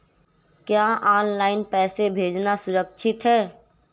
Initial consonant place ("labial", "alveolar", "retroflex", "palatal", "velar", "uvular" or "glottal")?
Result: velar